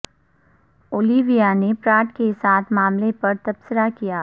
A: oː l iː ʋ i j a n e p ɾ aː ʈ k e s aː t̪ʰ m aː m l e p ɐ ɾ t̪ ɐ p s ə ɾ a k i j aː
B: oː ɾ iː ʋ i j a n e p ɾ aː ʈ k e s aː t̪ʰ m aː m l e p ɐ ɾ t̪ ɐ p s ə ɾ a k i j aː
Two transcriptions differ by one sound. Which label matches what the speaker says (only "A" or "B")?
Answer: A